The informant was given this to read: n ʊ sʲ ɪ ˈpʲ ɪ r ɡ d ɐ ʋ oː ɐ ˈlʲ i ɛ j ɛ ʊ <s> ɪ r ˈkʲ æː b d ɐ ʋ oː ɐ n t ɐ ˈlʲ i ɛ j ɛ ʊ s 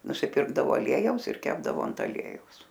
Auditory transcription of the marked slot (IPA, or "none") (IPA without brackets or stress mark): s